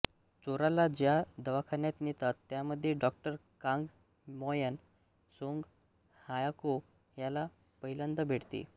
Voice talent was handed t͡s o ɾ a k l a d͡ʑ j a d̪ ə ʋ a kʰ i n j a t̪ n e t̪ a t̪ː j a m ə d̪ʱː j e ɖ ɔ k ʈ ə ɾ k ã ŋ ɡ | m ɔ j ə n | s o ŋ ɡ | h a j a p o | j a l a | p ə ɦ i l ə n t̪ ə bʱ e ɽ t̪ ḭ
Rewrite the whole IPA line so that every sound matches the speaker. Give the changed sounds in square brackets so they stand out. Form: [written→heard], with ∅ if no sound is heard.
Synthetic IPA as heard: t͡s o ɾ a [k→∅] l a d͡ʑ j a d̪ ə ʋ a kʰ [i→a] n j a t̪ n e t̪ a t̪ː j a m ə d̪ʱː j e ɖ ɔ k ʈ ə ɾ k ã ŋ ɡ | m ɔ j ə n | s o ŋ ɡ | h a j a [p→k] o | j a l a | p ə ɦ i l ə n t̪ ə bʱ e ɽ t̪ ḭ